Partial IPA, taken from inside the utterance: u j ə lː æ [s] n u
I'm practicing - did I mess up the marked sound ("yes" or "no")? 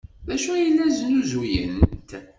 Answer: yes